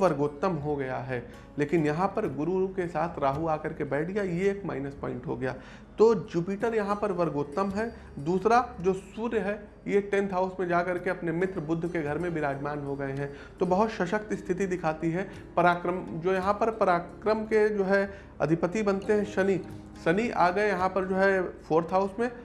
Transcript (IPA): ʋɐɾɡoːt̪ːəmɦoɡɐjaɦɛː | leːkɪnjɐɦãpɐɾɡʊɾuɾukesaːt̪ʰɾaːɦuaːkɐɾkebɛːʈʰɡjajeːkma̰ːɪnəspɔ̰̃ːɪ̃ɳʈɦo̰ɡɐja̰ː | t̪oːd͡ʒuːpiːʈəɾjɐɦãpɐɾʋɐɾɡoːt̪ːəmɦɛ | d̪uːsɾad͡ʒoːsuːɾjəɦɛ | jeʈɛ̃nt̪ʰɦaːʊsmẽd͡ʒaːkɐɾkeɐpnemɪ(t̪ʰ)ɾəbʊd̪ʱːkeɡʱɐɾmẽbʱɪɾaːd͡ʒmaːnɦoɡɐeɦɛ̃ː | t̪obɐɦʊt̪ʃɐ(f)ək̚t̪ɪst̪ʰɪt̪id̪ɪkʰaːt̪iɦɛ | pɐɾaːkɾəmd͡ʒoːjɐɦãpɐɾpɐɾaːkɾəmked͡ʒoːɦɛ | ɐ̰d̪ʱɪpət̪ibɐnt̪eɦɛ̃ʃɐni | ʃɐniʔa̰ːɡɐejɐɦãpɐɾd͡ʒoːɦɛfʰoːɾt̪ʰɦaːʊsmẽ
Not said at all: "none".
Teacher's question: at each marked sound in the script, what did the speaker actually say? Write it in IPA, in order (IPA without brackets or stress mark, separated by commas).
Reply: t̪, ʃ